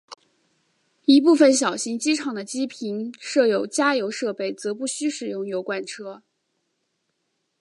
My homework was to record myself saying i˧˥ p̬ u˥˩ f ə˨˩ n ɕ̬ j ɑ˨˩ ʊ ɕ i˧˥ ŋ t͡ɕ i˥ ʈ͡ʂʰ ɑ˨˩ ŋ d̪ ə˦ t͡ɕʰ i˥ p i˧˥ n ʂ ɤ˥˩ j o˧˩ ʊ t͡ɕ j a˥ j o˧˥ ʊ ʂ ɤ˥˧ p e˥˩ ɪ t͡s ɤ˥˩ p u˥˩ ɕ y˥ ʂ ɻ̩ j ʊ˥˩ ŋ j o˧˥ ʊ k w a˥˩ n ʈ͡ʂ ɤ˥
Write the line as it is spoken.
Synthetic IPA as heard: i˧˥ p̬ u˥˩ f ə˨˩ n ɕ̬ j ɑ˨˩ ʊ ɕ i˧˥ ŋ t͡ɕ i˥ ʈ͡ʂʰ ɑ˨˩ ŋ d̪ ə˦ t͡ɕ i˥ pʰ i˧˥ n ʂ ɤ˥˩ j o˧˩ ʊ t͡ɕ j a˥ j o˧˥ ʊ ʂ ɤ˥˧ p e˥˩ ɪ t͡s ɤ˧˥ p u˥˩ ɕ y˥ ʂ ɻ̩ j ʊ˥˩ ŋ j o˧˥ ʊ k w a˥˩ n ʈ͡ʂʰ ɤ˥